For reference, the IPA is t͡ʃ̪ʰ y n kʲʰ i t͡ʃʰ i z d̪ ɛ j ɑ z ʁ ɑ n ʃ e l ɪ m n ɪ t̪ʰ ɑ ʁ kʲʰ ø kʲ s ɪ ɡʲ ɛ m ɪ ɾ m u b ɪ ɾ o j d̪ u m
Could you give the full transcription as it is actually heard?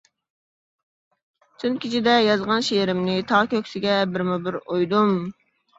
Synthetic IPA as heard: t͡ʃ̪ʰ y n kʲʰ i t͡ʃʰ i d̪ ɛ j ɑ z ʁ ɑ n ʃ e ɾ ɪ m n ɪ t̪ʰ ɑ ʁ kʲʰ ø kʲ s ɪ ɡʲ ɛ b ɪ ɾ m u b ɪ ɾ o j d̪ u m